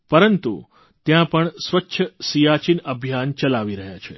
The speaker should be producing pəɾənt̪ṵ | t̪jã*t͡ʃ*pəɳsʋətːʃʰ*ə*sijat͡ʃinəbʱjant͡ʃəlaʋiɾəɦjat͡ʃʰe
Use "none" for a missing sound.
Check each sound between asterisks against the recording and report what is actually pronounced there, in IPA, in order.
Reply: none, ə

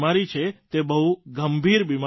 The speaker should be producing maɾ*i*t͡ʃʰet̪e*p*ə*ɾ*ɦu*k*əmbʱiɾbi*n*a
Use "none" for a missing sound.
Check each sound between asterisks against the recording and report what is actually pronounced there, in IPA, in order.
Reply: i, b, none, ɡ, m

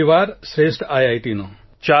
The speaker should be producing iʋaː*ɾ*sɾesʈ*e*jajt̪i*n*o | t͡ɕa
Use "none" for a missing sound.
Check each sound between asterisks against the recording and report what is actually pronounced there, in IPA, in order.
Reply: ɾ, a, n

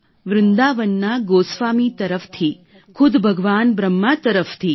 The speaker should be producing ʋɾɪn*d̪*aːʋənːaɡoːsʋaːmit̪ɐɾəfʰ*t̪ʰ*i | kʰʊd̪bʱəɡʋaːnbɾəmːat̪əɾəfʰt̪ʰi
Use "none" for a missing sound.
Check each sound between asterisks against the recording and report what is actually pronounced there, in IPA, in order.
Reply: d̪, t̪ʰ

